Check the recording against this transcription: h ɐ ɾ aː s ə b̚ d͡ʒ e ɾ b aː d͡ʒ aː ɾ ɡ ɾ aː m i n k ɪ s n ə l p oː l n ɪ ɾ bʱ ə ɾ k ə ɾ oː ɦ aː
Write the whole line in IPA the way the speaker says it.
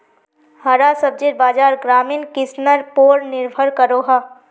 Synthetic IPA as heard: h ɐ ɾ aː s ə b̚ d͡ʒ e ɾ b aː d͡ʒ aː ɾ ɡ ɾ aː m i n k ɪ s n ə ɾ p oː ɾ n ɪ ɾ bʱ ə ɾ k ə ɾ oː ɦ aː

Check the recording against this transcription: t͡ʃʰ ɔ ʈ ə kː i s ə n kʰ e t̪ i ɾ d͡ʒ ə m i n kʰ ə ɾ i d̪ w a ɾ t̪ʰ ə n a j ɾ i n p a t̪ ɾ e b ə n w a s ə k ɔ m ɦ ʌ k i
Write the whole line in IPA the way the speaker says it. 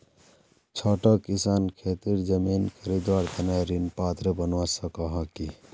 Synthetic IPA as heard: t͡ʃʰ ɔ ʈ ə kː i s a n kʰ e t̪ i ɾ d͡ʒ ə m i n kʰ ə ɾ i d̪ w a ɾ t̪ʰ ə n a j ɾ i n p a t̪ ɾ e b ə n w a s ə k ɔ ɦ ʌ k i

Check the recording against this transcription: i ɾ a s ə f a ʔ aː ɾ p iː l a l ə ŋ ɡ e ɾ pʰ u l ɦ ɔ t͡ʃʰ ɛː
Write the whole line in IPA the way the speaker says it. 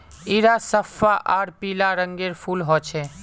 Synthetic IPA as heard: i ɾ a s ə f a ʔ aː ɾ p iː l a ɾ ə ŋ ɡ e ɾ pʰ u l ɦ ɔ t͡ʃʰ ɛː

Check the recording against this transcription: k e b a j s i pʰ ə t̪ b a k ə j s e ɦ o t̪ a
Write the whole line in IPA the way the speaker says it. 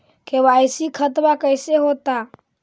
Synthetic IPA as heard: k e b a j s i kʰ ə t̪ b a k ə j s e ɦ o t̪ a

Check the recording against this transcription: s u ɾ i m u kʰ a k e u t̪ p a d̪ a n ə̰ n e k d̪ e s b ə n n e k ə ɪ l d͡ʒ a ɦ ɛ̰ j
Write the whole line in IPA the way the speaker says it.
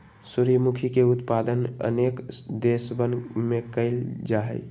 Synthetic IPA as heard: s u ɾ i m u kʰ i k e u t̪ p a d̪ ə n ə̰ n e k d̪ e s b ə n m e k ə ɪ l d͡ʒ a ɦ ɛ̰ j

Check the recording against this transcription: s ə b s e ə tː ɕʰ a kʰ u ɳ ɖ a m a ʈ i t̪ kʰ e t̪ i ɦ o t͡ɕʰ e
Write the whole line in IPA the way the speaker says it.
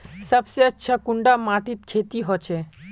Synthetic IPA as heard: s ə b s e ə tː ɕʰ a k u ɳ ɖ a m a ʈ i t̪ kʰ e t̪ i ɦ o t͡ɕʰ e

